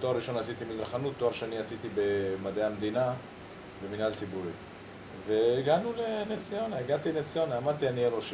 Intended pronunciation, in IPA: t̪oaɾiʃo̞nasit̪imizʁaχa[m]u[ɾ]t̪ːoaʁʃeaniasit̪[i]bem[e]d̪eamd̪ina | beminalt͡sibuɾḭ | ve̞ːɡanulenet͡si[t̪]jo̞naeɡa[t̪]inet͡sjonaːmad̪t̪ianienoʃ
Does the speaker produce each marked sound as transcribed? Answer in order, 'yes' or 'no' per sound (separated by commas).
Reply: no, no, yes, no, no, yes